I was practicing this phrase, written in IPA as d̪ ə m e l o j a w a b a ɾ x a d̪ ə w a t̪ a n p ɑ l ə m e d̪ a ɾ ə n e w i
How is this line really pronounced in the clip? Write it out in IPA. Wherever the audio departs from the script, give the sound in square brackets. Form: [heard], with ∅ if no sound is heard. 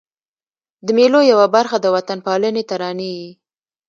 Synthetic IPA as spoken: d̪ ə m e l o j a w a b a ɾ x a d̪ ə w a t̪ a n p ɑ l ə [n] e [t̪] a ɾ [ɑ] n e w i